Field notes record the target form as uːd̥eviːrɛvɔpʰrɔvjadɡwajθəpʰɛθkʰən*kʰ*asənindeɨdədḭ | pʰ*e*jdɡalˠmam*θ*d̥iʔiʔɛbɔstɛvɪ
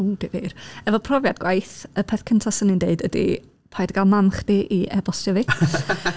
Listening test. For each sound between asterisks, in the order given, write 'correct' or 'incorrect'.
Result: incorrect: tʰ, incorrect: a, incorrect: χ

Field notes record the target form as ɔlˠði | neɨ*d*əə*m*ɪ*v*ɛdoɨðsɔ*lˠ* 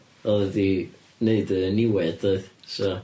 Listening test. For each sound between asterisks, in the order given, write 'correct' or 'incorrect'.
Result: correct, incorrect: n, incorrect: w, incorrect: none

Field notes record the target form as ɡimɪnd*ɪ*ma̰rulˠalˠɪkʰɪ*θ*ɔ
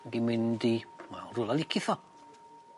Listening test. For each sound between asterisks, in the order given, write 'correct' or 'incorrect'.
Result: incorrect: i, correct

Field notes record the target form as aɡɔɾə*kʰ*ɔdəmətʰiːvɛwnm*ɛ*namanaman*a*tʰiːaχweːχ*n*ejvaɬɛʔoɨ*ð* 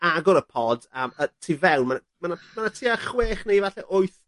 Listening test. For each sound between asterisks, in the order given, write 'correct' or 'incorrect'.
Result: incorrect: pʰ, incorrect: a, correct, correct, incorrect: θ

